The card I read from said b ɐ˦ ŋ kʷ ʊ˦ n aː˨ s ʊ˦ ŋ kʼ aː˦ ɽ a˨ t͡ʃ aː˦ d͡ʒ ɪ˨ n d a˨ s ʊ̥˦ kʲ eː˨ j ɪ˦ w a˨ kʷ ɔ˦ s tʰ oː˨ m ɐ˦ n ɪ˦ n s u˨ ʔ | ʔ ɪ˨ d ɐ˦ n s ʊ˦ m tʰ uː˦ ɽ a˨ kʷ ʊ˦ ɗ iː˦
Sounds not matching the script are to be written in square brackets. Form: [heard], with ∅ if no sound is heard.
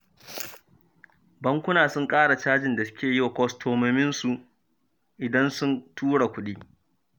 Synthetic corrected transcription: b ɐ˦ ŋ kʷ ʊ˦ n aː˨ s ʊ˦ ŋ kʼ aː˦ ɽ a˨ t͡ʃ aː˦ d͡ʒ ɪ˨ n d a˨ s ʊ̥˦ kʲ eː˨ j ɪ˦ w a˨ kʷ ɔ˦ s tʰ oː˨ m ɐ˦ [m] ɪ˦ n s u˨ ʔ | ʔ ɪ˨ d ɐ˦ n s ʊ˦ [n] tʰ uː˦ ɽ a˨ kʷ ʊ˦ ɗ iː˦